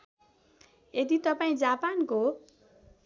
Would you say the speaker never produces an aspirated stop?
yes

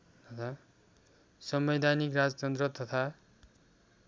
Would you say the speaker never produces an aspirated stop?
no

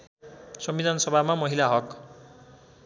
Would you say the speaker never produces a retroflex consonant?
yes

